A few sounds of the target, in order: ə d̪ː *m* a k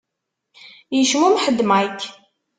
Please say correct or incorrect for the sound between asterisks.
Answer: correct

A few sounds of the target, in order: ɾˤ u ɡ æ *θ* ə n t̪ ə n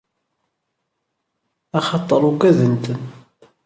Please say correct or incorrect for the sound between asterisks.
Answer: incorrect: ð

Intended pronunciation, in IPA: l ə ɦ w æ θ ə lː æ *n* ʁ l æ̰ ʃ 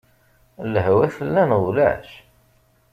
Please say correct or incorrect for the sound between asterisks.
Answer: correct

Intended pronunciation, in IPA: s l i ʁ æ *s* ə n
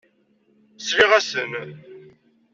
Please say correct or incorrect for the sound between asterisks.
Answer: correct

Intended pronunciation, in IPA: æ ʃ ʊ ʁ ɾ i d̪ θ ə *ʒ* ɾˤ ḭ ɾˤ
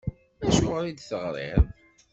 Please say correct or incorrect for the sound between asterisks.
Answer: incorrect: ʁ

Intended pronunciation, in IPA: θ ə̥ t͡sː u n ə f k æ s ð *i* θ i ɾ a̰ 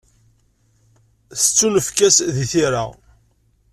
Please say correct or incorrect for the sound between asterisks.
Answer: correct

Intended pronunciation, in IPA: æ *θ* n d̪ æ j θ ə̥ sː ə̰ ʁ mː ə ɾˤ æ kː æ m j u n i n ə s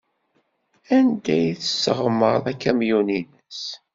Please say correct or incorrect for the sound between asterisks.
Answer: incorrect: none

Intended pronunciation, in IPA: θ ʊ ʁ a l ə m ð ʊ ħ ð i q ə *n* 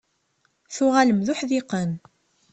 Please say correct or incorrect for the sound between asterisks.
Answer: correct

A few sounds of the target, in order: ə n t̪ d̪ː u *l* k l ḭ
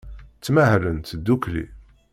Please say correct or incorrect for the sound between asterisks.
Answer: incorrect: none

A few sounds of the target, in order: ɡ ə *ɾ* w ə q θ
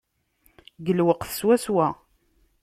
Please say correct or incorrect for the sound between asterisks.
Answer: incorrect: l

